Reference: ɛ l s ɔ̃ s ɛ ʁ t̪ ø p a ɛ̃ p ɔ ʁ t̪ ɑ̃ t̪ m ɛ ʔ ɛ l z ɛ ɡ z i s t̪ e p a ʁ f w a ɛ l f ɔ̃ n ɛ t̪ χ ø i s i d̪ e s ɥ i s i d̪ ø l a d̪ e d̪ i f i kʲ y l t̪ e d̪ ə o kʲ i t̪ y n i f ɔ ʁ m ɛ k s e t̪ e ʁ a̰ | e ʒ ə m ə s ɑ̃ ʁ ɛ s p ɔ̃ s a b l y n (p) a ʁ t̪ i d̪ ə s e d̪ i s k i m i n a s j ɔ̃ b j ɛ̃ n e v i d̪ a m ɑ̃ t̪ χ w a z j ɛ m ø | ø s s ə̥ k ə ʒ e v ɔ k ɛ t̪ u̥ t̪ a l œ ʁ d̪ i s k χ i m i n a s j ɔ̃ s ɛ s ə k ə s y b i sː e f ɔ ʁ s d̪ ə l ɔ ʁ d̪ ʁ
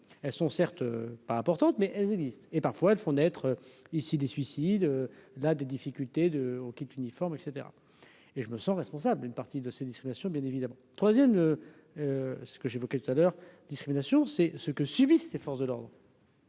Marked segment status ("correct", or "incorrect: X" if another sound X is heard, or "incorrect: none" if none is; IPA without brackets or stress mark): correct